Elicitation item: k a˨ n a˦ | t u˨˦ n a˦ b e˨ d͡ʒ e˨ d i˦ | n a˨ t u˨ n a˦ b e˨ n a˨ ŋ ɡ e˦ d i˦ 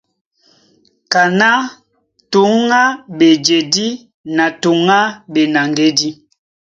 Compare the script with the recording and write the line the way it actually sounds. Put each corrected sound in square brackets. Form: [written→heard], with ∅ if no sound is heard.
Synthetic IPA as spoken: k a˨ n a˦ | t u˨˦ [n→ŋ] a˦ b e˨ d͡ʒ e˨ d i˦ | n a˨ t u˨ [n→ŋ] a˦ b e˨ n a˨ ŋ ɡ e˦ d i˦